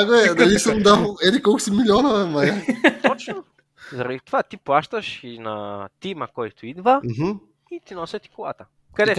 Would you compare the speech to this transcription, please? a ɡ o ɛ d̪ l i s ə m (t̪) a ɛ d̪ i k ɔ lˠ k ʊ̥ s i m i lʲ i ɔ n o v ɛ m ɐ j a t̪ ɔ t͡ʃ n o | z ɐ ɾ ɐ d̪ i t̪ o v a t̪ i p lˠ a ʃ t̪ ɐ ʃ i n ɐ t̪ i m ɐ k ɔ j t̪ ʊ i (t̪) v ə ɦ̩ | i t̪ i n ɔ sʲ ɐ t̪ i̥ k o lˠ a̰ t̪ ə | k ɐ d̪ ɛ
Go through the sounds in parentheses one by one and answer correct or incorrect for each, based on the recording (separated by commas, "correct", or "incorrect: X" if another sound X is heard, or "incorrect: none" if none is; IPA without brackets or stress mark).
incorrect: d̪, incorrect: d̪